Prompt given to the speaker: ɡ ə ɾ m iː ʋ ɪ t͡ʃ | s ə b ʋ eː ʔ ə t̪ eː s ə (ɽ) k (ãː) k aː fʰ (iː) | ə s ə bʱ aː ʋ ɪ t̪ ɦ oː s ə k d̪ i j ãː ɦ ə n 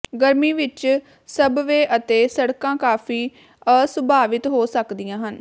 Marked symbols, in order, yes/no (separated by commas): yes, yes, yes